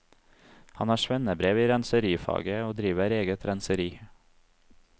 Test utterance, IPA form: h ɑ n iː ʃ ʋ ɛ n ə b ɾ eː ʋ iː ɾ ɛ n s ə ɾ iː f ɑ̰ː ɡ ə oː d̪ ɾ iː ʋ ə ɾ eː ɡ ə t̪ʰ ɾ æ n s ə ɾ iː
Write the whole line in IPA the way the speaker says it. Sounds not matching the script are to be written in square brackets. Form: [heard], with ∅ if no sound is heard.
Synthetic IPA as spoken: h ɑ n [æː] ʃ ʋ ɛ n ə b ɾ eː ʋ iː ɾ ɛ n s ə ɾ iː f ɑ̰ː ɡ ə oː d̪ ɾ iː ʋ ə ɾ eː ɡ ə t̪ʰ ɾ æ n s ə ɾ iː